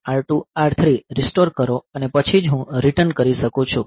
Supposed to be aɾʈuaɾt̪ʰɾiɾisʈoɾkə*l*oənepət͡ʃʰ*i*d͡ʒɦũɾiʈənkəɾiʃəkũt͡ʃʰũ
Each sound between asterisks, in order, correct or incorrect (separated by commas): incorrect, correct